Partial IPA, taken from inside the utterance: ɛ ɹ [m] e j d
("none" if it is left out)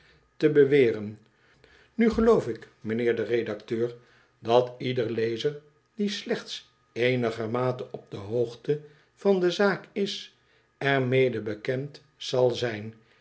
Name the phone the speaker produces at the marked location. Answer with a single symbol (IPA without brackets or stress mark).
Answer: m